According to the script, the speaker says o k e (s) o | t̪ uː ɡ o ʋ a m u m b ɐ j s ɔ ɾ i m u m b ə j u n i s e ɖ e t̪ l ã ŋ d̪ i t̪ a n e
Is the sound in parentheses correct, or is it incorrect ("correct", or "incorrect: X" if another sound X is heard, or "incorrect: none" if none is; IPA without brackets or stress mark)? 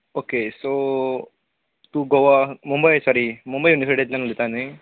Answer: correct